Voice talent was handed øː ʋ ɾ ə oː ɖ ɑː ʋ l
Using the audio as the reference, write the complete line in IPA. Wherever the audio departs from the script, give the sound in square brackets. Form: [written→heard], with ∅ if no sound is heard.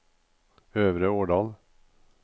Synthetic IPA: øː ʋ ɾ ə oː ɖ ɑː [ʋ→∅] l

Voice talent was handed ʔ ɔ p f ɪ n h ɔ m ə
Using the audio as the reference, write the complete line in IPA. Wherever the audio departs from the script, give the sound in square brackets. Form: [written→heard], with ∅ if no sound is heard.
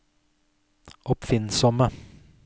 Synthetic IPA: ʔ ɔ p f ɪ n [h→s] ɔ m ə

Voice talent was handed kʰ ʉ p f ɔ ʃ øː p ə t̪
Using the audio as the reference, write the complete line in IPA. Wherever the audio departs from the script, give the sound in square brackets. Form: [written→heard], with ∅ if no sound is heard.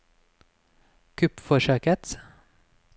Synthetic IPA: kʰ ʉ p f ɔ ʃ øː [p→k] ə t̪

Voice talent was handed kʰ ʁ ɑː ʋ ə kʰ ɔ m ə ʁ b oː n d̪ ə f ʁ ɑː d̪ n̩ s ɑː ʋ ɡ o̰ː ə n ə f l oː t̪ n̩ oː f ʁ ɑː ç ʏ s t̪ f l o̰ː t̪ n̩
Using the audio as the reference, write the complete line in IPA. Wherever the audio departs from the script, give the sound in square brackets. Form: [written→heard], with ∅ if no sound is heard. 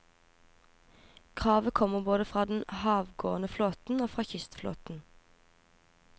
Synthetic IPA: kʰ ʁ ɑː ʋ ə kʰ ɔ m ə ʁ b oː [n→∅] d̪ ə f ʁ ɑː d̪ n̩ [s→h] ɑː ʋ ɡ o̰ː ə n ə f l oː t̪ n̩ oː f ʁ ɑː ç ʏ s t̪ f l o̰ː t̪ n̩

